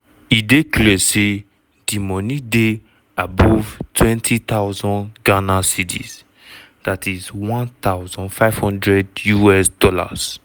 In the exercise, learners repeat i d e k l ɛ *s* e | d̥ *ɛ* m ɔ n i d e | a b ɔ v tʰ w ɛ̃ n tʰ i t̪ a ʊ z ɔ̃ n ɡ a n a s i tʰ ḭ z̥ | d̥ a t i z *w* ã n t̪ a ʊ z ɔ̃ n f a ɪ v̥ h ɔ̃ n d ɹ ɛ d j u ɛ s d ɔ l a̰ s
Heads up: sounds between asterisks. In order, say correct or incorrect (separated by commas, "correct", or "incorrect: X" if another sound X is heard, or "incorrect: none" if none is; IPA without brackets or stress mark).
correct, incorrect: i, correct